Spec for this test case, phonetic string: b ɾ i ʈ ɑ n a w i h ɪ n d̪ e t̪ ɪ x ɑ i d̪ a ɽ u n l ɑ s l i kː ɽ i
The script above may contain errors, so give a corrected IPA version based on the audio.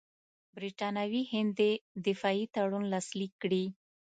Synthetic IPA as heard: b ɾ i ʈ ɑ n a w i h ɪ n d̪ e d̪ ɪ f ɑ i t̪ a ɽ u n l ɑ s l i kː ɽ i